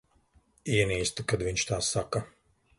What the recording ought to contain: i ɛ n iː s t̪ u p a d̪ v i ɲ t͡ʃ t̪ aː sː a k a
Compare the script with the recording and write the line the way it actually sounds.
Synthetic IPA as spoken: i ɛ n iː s t̪ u k a d̪ v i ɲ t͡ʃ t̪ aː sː a k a